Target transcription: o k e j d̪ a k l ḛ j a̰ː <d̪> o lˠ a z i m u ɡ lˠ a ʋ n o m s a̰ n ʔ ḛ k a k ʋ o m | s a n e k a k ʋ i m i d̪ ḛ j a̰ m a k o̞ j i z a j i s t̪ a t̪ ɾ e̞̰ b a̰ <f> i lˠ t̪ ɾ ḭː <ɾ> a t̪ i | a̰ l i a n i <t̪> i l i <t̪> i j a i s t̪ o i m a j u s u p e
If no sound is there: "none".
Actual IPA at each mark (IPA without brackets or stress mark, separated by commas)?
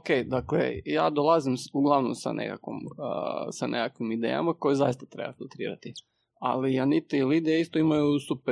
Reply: d̪, f, ɾ, t̪, d̪